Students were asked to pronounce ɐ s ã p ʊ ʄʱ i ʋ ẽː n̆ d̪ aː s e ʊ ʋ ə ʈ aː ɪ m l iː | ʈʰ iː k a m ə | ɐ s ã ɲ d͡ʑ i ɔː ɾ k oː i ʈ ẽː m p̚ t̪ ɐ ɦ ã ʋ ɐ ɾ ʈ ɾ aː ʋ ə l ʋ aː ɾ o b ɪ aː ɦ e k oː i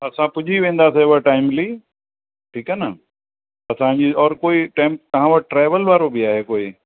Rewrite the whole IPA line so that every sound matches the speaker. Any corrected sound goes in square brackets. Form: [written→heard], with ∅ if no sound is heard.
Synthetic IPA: ɐ s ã p ʊ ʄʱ i ʋ ẽː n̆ d̪ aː s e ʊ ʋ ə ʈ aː ɪ m l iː | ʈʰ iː k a [m→n] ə | ɐ s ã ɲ d͡ʑ i ɔː ɾ k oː i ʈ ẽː m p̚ t̪ ɐ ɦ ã ʋ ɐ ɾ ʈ ɾ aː ʋ ə l ʋ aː ɾ o b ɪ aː ɦ e k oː i